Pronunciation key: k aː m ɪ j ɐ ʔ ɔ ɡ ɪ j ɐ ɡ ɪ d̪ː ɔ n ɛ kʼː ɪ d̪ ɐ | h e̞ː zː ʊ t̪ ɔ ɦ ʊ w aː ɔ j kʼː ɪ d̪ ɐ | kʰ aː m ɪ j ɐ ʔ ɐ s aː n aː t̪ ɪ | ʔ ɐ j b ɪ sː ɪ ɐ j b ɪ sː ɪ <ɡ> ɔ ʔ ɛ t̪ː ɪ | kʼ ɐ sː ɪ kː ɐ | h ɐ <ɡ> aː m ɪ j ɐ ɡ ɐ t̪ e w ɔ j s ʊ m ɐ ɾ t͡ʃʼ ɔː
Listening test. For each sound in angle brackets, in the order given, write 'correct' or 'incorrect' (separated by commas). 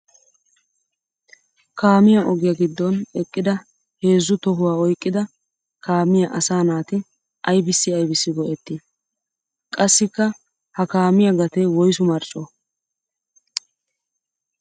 correct, incorrect